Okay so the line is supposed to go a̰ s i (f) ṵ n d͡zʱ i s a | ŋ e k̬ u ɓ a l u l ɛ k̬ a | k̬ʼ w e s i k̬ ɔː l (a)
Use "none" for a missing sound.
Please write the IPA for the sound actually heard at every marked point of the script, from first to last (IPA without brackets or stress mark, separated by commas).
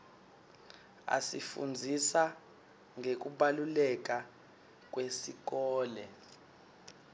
f, ɛ